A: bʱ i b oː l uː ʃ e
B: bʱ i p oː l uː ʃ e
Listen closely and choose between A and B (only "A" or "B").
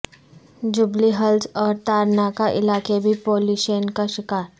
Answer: B